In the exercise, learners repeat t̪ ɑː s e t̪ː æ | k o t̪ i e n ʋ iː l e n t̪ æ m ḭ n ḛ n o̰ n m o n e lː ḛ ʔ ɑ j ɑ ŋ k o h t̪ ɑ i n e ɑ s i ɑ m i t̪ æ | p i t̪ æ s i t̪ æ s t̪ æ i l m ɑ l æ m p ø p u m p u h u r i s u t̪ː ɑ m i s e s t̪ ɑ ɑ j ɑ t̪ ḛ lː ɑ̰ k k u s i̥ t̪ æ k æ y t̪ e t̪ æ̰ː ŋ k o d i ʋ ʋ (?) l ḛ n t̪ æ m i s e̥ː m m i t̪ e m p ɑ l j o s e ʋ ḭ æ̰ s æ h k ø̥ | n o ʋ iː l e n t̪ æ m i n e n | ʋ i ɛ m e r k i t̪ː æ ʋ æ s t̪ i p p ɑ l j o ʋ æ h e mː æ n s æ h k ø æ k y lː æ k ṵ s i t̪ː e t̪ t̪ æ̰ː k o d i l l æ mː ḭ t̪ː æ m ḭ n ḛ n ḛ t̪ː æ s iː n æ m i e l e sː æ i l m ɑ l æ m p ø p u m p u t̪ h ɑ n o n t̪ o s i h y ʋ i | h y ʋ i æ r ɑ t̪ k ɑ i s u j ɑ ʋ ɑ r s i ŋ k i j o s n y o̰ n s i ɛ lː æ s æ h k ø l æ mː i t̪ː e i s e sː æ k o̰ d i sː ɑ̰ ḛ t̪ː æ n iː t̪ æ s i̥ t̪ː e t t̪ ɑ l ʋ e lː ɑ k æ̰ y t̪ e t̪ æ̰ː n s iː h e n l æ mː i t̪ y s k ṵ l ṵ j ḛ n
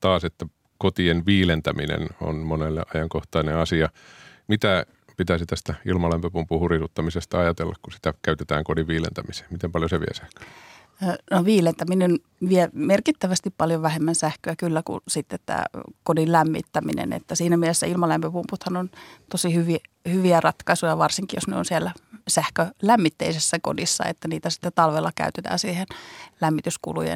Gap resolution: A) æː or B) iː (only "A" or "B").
B